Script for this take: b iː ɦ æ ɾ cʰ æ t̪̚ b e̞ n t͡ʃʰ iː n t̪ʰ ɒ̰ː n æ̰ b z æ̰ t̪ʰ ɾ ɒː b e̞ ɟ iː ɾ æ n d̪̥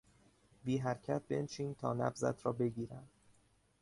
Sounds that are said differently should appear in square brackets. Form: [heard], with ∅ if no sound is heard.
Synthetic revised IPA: b iː ɦ æ ɾ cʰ æ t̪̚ b e̞ n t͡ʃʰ iː n t̪ʰ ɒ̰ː n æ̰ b z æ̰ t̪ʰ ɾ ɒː b e̞ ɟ iː ɾ æ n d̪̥